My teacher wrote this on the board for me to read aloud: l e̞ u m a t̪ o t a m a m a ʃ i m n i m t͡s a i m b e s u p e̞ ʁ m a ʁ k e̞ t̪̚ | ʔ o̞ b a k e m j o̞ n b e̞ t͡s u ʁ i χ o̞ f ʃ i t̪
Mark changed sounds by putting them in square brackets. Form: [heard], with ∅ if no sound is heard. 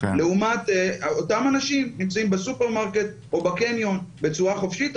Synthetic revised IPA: l e̞ u m a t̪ o t a m a [n] a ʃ i m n i m t͡s a i m b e s u p e̞ ʁ m a ʁ k e̞ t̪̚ | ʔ o̞ b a k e [n] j o̞ n b e̞ t͡s u ʁ [a] χ o̞ f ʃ i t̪